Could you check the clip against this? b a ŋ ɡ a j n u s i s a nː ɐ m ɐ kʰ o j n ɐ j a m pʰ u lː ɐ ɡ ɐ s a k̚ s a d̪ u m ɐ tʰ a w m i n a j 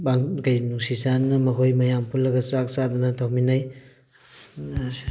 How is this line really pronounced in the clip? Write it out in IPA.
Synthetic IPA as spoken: b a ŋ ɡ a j n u s i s a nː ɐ m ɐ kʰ o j m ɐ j a m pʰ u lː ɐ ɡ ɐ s a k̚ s a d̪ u n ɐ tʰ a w m i n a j

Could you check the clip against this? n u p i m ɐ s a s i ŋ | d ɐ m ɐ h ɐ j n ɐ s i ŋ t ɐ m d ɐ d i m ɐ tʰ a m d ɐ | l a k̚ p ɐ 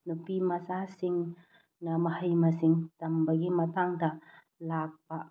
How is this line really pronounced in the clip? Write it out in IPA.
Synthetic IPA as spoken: n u p i m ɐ s a s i ŋ | n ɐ m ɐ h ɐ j m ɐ s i ŋ t ɐ m b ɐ ɡ i m ɐ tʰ a ŋ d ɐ | l a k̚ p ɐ

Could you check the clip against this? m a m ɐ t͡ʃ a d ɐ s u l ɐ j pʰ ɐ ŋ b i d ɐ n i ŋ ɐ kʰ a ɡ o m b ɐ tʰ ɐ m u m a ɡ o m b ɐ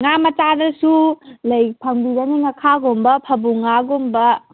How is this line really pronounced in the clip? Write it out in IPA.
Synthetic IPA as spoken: ŋ a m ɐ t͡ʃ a d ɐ s u l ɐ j pʰ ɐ ŋ b i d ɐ n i ŋ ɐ kʰ a ɡ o m b ɐ pʰ ɐ b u ŋ a ɡ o m b ɐ

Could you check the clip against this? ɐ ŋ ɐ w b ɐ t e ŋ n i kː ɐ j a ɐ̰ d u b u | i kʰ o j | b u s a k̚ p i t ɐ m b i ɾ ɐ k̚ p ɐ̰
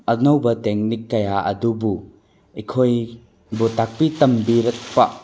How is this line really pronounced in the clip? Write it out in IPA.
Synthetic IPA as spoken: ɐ n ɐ w b ɐ t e ŋ n i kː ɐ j a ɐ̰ d u b u | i kʰ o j | b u t a k̚ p i t ɐ m b i ɾ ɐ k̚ p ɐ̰

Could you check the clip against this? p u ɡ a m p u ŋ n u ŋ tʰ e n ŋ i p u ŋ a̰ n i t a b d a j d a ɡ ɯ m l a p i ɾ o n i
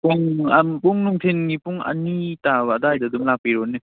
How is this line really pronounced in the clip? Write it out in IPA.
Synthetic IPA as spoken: p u ŋ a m p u ŋ n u ŋ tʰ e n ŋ i p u ŋ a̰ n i t a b d a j d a d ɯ m l a p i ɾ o n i

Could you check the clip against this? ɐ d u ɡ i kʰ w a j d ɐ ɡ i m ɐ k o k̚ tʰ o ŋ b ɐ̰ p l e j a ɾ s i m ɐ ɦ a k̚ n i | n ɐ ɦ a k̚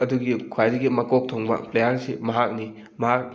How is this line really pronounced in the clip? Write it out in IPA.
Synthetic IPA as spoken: ɐ d u ɡ i kʰ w a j d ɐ ɡ i m ɐ k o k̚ tʰ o ŋ b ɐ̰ p l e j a ɾ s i m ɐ ɦ a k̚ n i | m ɐ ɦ a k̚

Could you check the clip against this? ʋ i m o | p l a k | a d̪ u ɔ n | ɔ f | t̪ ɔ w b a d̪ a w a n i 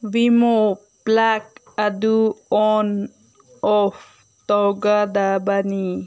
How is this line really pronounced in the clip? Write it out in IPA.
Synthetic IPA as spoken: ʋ i m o | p l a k | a d̪ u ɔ n | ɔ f | t̪ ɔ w ɡ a d̪ a b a n i

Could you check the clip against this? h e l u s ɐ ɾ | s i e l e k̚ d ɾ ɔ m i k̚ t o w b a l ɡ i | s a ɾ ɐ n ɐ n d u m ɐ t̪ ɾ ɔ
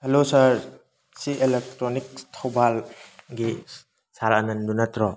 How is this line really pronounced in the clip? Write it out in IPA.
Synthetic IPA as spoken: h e l o s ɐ ɾ | s i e l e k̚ t ɾ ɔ n i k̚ tʰ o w b a l ɡ i | s a ɾ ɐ n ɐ n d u n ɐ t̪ ɾ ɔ

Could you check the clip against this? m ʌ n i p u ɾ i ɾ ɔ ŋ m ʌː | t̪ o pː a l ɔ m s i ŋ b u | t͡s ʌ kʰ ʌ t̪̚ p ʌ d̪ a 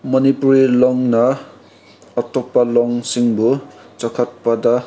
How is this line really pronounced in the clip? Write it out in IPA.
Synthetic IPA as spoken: m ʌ n i p u ɾ i l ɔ ŋ n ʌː | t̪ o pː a l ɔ ŋ s i ŋ b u | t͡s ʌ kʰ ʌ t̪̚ p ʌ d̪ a

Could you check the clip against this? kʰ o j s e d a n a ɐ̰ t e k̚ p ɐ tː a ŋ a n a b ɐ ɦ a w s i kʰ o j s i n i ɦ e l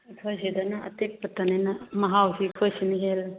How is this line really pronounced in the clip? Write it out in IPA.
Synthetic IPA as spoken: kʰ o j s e d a n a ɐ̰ t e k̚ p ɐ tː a n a n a m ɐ ɦ a w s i kʰ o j s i n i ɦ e l

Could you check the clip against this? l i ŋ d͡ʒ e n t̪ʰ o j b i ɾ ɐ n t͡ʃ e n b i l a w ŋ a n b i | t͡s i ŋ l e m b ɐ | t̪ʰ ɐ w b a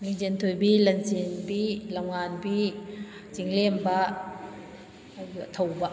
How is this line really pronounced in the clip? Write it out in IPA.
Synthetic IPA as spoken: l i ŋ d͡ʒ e n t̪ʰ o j b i l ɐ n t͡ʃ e n b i l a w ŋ a n b i | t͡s i ŋ l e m b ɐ | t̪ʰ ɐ w b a

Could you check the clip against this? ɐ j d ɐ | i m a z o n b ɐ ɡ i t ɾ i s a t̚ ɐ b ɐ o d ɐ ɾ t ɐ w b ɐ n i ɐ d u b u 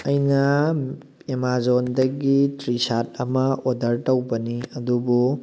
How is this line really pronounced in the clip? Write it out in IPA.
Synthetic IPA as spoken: ɐ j n ɐ | e m a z o n d ɐ ɡ i t ɾ i s a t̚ ɐ m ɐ o d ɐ ɾ t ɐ w b ɐ n i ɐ d u b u

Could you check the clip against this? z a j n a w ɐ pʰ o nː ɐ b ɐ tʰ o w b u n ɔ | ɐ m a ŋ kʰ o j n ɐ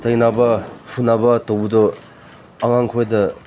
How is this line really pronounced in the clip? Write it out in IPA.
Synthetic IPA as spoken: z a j n a b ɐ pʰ u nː a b ɐ t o w b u d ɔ | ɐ ŋ a ŋ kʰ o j d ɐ

